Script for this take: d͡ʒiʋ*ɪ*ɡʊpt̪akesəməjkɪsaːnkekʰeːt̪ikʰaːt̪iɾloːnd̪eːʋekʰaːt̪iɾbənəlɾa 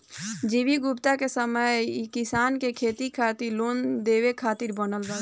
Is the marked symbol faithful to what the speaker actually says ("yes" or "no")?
no